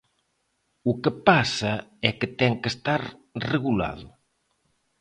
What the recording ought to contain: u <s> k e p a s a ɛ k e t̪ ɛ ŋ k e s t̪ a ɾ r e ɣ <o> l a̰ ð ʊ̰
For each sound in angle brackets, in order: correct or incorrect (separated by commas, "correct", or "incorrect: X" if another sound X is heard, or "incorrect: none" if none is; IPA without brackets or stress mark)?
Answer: incorrect: none, incorrect: u